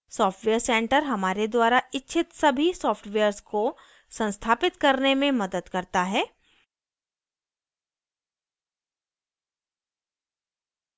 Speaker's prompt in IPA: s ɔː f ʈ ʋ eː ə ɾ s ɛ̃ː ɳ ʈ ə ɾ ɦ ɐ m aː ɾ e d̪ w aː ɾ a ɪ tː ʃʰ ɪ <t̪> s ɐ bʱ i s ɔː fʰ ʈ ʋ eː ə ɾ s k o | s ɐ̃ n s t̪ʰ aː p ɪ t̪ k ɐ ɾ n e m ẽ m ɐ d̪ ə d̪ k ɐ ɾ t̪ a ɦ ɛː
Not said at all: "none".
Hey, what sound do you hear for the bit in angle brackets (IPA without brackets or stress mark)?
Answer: t̪